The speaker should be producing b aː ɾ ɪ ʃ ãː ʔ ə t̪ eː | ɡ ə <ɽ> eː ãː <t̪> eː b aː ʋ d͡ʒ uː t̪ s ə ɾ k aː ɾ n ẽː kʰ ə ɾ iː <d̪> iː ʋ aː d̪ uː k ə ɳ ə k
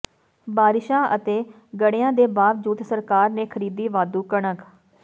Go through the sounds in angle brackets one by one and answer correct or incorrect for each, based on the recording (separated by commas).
correct, incorrect, correct